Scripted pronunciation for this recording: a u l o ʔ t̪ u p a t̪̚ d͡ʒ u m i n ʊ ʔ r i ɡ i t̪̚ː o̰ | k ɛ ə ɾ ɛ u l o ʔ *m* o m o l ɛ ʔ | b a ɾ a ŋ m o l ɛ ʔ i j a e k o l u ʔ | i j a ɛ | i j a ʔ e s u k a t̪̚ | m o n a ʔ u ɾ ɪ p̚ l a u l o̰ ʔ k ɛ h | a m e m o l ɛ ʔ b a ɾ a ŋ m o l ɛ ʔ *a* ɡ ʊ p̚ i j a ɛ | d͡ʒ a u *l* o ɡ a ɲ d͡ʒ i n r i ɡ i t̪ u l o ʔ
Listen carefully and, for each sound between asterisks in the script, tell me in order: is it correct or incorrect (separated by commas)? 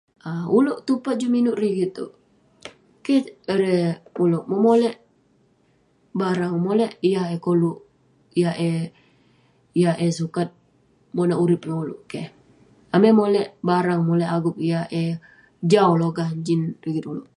correct, correct, correct